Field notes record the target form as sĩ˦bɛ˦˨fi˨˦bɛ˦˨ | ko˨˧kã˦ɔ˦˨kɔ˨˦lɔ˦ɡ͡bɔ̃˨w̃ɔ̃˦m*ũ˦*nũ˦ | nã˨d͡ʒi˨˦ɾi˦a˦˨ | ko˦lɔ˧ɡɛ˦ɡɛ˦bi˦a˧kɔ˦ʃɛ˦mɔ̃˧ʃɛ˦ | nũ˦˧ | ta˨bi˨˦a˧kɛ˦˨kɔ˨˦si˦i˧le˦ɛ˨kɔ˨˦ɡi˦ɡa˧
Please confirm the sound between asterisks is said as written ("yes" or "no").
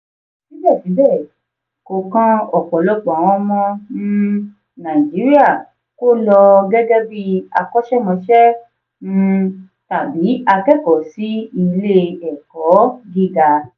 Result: no